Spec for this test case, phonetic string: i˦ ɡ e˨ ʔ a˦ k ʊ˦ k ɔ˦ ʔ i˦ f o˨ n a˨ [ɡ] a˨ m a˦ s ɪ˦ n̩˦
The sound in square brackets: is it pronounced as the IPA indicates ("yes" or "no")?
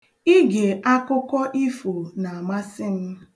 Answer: no